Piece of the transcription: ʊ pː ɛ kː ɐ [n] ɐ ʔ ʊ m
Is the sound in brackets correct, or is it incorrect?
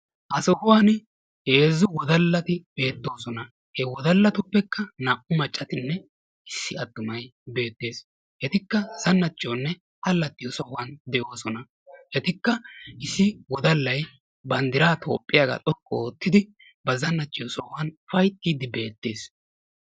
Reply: correct